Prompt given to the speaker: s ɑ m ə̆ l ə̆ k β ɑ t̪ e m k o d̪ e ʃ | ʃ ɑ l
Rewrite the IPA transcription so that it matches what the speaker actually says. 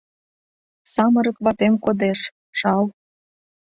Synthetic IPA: s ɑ m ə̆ ɾ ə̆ k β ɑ t̪ e m k o d̪ e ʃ | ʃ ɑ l